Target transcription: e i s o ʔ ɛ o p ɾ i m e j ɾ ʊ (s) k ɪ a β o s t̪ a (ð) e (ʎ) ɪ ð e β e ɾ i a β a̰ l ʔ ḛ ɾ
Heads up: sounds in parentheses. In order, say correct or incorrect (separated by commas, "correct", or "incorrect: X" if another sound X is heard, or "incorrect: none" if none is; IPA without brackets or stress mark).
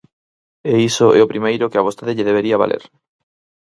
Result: incorrect: none, correct, correct